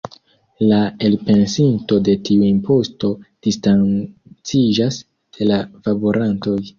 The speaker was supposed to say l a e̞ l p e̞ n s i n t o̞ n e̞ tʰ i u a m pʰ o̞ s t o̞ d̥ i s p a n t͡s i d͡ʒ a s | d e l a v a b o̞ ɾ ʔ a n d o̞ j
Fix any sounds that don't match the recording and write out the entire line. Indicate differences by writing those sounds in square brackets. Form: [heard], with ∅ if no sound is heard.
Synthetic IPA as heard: l a e̞ l p e̞ n s i n t o̞ [d] e̞ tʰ i u [i] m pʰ o̞ s t o̞ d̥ i s [t] a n t͡s i d͡ʒ a s | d e l a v a b o̞ ɾ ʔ a n [t] o̞ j